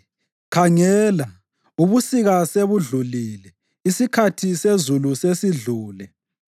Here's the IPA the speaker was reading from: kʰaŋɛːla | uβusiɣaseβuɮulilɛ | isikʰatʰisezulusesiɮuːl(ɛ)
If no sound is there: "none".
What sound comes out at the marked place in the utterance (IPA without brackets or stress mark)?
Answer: ɛ